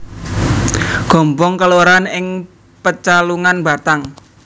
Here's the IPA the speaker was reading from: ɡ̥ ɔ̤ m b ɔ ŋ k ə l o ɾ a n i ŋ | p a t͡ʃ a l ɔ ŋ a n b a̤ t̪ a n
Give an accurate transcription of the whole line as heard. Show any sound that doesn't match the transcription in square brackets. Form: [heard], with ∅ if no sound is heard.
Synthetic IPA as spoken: ɡ̥ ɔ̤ m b ɔ ŋ k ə l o ɾ a n [ɪ] ŋ | p [ə] t͡ʃ a l [u] ŋ a n b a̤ t̪ a [ŋ]